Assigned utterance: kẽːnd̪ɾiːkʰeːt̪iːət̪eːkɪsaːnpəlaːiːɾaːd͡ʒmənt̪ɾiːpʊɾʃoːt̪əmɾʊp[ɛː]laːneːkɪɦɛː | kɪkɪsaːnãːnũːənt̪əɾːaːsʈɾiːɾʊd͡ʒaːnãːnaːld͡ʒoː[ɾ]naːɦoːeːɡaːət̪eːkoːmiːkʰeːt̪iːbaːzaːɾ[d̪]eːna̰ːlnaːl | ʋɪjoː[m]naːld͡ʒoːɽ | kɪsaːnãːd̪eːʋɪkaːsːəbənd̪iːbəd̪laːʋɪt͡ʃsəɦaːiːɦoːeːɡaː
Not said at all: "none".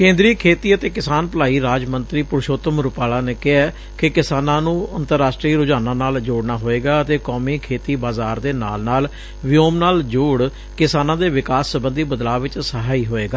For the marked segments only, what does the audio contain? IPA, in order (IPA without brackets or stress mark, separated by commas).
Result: aː, ɽ, d̪, m